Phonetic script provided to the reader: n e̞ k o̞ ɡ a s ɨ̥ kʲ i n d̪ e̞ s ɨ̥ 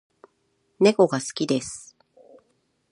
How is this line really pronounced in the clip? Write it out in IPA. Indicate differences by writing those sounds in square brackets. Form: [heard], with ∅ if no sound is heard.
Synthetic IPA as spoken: n e̞ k o̞ ɡ a s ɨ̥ kʲ i [∅] d̪ e̞ s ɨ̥